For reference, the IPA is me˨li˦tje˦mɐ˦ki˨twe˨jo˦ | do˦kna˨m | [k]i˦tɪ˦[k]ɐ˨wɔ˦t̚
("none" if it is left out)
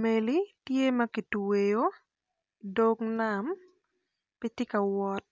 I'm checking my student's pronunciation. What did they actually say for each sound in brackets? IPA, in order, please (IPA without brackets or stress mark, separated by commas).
p, k